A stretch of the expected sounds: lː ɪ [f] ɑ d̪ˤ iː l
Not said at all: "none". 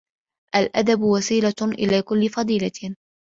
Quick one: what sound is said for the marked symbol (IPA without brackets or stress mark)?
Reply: f